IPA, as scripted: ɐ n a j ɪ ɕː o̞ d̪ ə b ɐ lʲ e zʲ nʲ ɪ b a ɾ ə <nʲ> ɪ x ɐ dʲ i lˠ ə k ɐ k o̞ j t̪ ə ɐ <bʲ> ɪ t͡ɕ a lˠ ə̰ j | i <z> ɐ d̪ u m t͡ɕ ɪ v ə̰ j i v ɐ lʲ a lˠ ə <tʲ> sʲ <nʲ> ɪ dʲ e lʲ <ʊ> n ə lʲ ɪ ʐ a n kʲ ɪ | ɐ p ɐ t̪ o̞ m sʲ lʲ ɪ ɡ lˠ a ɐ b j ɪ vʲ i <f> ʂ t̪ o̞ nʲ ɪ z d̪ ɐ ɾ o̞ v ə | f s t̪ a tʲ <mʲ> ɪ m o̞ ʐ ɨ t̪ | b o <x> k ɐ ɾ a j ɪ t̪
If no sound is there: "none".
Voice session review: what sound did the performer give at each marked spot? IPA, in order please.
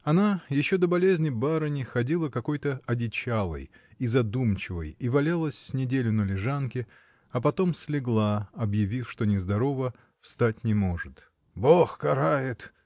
nʲ, dʲ, z, sʲ, nʲ, ʊ, f, nʲ, x

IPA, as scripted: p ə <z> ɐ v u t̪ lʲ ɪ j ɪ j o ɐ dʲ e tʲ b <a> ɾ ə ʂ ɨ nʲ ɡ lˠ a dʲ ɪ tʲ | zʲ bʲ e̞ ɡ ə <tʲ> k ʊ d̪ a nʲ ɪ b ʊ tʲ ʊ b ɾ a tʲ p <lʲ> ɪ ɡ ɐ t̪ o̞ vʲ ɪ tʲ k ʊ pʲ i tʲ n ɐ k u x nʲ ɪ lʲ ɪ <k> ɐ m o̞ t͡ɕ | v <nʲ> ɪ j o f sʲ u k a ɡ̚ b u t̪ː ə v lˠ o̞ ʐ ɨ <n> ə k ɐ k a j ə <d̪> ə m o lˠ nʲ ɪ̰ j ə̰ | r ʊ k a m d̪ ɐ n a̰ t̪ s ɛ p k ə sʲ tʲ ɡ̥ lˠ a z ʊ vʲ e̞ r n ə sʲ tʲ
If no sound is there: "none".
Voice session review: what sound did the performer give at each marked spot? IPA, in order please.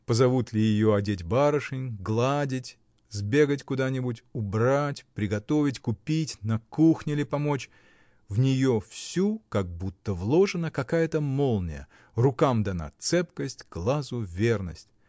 z, a, tʲ, ɾʲ, p, nʲ, n, t̪

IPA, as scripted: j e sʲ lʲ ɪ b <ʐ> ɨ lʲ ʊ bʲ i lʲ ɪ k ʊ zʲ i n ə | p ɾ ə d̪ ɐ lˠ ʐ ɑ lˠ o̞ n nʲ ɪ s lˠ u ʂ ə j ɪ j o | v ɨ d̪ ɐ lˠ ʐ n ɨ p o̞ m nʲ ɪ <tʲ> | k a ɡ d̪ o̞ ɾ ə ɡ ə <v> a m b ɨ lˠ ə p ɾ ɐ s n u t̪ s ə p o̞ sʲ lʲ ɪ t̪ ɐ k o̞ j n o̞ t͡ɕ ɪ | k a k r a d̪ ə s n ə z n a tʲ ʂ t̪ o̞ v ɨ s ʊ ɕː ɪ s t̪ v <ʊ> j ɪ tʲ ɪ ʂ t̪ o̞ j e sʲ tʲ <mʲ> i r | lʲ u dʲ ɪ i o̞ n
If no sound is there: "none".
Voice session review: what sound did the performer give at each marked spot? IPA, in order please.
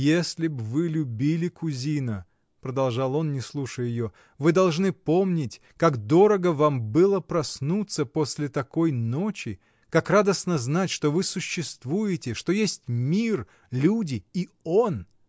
v, tʲ, v, u, mʲ

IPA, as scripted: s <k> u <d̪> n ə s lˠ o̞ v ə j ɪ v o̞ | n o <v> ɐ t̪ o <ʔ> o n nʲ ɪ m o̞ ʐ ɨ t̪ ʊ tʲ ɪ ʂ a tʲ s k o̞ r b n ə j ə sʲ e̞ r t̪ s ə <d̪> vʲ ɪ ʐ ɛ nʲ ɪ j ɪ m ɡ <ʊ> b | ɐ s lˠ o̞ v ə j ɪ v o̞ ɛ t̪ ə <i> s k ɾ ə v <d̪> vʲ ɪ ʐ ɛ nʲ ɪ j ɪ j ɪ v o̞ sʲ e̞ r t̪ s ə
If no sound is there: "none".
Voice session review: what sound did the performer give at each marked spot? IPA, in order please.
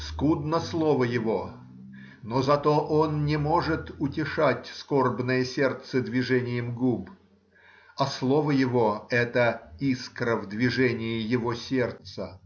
k, d̪, z, ʔ, d̪, u, i, d̪

